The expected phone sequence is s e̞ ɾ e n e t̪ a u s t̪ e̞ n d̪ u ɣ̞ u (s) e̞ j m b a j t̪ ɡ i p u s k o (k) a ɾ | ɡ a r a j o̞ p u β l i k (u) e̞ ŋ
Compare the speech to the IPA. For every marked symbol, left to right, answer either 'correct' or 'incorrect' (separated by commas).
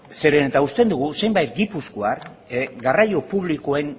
correct, incorrect, incorrect